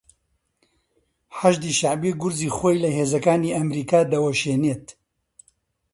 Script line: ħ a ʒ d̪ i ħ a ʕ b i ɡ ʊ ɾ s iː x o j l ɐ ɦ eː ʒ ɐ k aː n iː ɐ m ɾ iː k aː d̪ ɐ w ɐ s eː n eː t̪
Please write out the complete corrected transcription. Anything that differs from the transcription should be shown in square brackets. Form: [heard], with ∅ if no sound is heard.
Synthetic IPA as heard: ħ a ʒ d̪ i [ʃ] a ʕ b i ɡ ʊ ɾ [z] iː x o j l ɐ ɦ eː [z] ɐ k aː n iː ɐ m ɾ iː k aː d̪ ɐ w ɐ [ʃ] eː n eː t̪